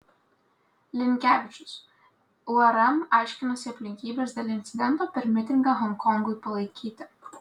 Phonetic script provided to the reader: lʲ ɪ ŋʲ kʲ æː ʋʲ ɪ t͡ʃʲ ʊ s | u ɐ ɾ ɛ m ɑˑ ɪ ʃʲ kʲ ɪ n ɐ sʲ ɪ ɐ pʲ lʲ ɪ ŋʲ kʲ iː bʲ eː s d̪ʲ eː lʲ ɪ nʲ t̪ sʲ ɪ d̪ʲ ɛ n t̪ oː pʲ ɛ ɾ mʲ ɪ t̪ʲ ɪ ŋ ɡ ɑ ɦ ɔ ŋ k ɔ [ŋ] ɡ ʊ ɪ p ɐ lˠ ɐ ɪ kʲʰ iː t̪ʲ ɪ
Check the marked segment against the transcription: correct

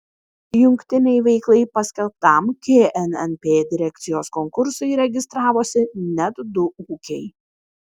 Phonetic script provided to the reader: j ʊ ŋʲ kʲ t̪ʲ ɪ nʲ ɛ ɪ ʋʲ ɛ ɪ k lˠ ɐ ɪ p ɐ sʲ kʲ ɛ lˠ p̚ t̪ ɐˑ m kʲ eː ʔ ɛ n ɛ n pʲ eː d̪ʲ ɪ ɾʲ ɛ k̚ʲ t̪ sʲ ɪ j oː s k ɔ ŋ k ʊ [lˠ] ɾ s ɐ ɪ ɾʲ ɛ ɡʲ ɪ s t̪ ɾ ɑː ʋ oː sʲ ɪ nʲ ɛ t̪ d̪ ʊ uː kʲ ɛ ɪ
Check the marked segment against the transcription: incorrect: none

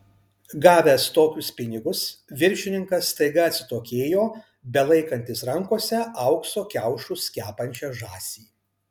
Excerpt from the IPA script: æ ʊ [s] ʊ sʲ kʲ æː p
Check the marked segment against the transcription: incorrect: ʃ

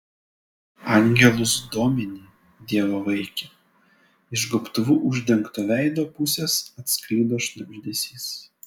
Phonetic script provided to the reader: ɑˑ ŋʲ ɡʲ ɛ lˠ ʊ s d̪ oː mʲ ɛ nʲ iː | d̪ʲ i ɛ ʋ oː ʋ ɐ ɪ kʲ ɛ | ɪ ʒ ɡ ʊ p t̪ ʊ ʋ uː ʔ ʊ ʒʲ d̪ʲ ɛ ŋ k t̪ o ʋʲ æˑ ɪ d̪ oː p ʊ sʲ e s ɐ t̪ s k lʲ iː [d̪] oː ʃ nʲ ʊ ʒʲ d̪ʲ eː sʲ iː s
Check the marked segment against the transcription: correct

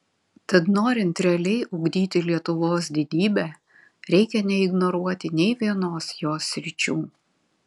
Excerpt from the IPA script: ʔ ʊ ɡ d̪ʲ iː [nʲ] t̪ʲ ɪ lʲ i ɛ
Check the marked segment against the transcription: incorrect: none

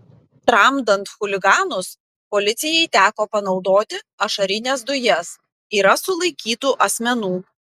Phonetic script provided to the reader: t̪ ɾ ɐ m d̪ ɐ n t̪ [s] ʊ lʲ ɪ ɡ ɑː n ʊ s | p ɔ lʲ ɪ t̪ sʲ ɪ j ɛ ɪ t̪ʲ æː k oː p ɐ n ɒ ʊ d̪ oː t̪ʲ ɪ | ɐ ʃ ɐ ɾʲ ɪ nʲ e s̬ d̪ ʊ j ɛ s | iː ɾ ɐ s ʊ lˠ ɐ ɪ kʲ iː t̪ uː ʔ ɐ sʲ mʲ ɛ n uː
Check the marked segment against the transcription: incorrect: x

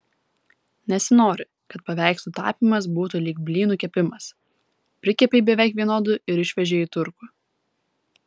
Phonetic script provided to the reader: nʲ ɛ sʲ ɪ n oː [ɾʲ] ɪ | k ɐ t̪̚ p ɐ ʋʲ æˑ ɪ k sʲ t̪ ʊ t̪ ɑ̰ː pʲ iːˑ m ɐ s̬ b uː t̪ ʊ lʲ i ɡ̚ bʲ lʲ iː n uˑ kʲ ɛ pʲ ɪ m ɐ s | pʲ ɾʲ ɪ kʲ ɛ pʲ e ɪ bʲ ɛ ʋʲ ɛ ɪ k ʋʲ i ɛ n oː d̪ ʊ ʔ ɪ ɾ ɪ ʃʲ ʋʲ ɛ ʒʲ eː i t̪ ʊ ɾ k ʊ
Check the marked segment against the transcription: correct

